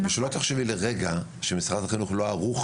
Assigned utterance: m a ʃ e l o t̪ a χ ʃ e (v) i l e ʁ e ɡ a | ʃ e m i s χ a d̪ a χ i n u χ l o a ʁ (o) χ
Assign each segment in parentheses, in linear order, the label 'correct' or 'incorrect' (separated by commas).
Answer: correct, incorrect